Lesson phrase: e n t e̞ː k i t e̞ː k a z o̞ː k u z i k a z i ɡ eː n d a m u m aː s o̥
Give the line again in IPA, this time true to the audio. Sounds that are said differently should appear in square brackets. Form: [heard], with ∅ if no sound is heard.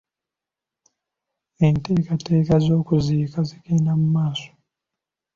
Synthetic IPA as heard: e n t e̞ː k [a] t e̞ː k a z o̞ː k u z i k a z i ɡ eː n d a m u m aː s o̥